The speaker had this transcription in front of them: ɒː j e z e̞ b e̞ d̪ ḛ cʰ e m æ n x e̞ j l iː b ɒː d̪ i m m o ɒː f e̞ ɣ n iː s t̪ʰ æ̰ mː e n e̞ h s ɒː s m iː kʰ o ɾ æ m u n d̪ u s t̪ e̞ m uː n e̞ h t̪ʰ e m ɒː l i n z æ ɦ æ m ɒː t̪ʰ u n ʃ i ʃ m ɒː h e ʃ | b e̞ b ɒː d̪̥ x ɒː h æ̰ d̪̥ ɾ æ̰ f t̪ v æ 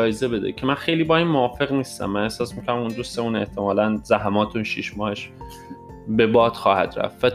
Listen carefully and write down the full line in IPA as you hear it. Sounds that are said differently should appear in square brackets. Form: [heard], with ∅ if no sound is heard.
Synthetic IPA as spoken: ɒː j e z e̞ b e̞ d̪ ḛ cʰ e m æ n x e̞ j l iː b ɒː [∅] i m m o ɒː f e̞ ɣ n iː s [t̪] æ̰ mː [æ] n e̞ h s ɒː s m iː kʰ o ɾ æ m u n d̪ u s t̪ e̞ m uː n e̞ h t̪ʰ e m ɒː l [æ] n z æ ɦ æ m ɒː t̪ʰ u n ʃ i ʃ m ɒː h e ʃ | b e̞ b ɒː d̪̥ x ɒː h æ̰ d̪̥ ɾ æ̰ f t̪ v æ